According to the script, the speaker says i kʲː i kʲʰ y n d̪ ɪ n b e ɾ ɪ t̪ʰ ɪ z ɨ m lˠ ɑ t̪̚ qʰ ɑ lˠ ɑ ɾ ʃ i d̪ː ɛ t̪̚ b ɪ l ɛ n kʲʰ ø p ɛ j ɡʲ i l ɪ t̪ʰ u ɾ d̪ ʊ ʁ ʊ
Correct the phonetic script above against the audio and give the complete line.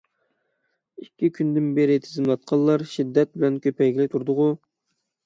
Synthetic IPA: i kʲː i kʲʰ y n d̪ ɪ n b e ɾ ɪ t̪ʰ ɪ z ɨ m lˠ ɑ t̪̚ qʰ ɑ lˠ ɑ ɾ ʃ i d̪ː ɛ t̪̚ b ɪ l ɛ n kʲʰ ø p ɛ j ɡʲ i l ɪ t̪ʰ u ɾ d̪ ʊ ʁ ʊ